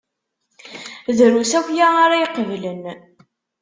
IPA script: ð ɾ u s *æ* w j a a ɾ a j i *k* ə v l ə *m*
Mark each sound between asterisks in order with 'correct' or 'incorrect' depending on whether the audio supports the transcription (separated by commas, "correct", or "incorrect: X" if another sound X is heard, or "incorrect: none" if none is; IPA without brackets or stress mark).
correct, incorrect: q, incorrect: n